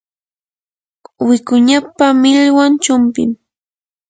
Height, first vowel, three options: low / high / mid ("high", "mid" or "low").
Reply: high